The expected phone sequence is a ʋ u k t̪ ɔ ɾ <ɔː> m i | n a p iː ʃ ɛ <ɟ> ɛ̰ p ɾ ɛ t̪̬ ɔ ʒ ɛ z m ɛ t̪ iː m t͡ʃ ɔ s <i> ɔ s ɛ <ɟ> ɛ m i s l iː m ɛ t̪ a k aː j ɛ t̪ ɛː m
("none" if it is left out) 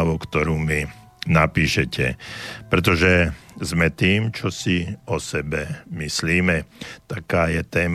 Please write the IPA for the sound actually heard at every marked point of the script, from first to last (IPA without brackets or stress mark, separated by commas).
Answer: uː, c, i, b